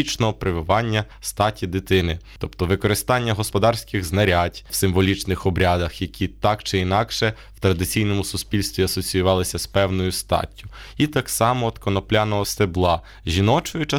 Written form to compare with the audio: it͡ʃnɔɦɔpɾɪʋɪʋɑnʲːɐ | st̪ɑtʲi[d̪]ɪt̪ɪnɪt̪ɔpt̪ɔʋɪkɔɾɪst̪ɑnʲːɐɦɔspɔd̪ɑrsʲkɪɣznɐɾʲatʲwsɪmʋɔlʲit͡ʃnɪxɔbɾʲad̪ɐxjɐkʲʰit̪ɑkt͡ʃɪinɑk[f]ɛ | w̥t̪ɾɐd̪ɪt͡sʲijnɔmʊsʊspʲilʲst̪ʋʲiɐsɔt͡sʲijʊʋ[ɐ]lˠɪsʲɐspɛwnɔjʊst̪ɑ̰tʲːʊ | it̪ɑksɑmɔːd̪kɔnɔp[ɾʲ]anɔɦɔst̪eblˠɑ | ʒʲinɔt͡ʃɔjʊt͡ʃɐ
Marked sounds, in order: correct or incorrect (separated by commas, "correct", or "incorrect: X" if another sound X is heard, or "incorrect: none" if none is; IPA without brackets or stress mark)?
correct, incorrect: ʃ, incorrect: ɑ, incorrect: lʲ